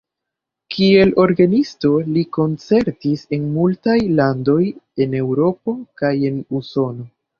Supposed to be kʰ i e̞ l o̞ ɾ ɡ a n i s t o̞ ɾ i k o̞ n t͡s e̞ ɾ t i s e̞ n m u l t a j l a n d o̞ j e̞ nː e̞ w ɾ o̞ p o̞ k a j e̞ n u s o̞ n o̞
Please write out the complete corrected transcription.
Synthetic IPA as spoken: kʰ i e̞ l o̞ ɾ ɡ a n i s t o̞ l i k o̞ n t͡s e̞ ɾ t i s e̞ n m u l t a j l a n d o̞ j e̞ n e̞ w ɾ o̞ p o̞ k a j e̞ n u s o̞ n o̞